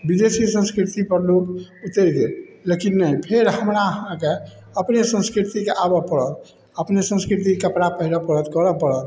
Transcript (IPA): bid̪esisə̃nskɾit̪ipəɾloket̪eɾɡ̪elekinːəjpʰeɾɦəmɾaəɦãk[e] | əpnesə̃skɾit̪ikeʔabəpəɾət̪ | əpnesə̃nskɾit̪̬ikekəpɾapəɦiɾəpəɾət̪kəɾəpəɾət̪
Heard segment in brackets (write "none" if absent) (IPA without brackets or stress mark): e